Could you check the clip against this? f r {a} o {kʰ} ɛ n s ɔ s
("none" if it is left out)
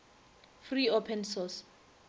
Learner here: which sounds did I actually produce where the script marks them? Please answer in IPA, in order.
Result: i, pʰ

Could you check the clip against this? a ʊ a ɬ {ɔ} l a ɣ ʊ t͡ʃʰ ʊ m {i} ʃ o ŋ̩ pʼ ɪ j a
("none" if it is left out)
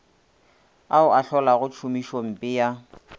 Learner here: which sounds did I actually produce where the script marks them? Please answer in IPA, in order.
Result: ɔ, i

